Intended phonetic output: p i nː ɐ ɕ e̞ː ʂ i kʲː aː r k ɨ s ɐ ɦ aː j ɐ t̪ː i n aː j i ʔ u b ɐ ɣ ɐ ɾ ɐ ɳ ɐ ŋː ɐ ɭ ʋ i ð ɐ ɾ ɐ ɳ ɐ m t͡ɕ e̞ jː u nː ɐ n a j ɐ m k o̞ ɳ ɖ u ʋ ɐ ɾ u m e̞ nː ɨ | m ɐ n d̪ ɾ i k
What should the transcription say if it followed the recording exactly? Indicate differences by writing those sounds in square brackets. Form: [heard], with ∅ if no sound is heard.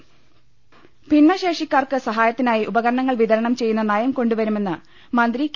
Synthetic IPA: p i nː ɐ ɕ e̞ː ʂ i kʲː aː r k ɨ s ɐ ɦ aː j ɐ t̪ː i n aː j i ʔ u b ɐ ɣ ɐ ɾ ɐ ɳ ɐ ŋː ɐ ɭ ʋ i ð ɐ ɾ ɐ ɳ ɐ m t͡ɕ e̞ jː u nː ɐ n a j ɐ m k o̞ ɳ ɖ u ʋ ɐ ɾ u m e̞ nː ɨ | m ɐ n d̪ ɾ i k